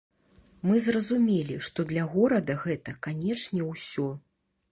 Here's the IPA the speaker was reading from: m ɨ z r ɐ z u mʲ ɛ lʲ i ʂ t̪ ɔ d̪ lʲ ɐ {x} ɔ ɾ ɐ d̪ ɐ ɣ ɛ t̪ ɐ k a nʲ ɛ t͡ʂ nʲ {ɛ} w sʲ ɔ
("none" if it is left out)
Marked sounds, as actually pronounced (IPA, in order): ɣ, ɛ

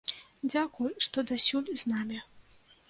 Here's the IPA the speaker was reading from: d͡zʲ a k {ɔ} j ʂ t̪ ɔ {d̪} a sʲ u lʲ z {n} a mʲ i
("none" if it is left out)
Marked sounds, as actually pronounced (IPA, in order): u, d̪, n

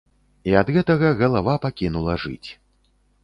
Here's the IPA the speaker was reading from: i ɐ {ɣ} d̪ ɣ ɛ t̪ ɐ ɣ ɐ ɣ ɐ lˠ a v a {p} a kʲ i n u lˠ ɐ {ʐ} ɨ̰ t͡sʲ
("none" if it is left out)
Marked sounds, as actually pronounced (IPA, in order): none, p, ʐ

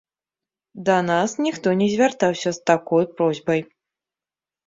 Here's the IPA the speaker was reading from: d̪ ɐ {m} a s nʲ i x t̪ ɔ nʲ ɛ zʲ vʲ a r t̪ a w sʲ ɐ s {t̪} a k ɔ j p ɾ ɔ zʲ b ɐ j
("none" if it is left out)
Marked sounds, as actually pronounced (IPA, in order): n, t̪

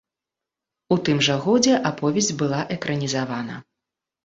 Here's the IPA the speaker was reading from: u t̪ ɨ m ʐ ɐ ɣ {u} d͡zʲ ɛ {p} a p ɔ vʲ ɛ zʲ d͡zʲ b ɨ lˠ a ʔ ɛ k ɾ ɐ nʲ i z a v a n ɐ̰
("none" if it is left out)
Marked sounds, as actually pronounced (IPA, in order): ɔ, ʔ

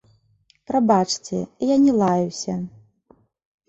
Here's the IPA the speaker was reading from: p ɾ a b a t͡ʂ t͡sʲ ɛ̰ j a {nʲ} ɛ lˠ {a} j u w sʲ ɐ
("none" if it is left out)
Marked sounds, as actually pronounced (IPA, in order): nʲ, a

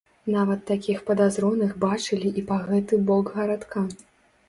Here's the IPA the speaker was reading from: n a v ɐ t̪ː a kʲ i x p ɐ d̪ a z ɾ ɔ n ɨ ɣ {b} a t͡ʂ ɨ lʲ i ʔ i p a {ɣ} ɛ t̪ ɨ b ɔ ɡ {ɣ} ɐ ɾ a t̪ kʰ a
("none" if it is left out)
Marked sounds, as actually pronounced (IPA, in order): b, ɣ, ɣ

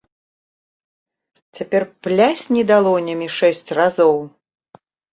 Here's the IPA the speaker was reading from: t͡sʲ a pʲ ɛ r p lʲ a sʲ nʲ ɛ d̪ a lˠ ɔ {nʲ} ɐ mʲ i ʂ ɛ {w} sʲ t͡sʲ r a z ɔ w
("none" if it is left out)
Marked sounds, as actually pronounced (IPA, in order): nʲ, none

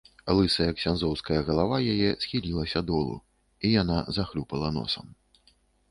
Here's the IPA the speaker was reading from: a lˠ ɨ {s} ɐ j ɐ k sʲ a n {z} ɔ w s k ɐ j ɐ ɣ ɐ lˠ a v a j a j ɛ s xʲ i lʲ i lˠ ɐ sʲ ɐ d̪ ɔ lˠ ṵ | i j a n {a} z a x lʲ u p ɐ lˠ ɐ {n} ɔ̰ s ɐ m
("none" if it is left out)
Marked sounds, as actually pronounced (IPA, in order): s, z, a, n

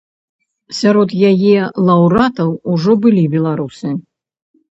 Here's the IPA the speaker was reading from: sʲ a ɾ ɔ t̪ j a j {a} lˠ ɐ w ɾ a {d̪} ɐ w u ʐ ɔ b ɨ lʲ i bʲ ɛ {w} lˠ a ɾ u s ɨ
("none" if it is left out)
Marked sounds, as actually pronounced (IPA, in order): ɛ, t̪, none

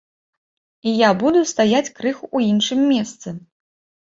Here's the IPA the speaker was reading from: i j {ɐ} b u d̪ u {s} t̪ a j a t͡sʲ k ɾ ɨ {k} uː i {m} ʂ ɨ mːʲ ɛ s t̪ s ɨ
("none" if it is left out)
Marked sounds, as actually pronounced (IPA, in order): a, s, x, n

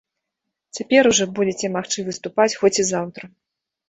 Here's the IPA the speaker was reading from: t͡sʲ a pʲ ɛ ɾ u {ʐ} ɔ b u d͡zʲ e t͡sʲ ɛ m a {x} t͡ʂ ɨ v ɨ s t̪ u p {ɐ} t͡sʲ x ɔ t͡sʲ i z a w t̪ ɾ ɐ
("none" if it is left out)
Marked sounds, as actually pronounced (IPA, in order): ʐ, x, a

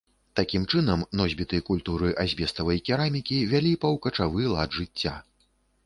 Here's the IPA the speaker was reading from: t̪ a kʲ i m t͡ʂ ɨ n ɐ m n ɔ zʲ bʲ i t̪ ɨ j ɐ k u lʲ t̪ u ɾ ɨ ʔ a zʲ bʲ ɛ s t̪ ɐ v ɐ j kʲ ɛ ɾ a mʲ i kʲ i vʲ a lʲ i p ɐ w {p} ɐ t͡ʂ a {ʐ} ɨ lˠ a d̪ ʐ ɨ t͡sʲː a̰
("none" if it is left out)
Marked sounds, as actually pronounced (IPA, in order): k, v

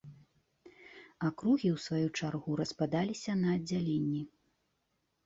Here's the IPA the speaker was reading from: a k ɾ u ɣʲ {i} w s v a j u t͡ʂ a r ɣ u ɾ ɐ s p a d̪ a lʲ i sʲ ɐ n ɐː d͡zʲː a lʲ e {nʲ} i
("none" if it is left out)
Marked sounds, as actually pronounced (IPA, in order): i, nʲː

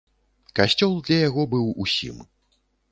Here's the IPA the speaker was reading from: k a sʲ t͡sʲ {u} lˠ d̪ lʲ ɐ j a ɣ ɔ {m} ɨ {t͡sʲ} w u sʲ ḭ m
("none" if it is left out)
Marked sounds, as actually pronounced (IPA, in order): ɔ, b, none

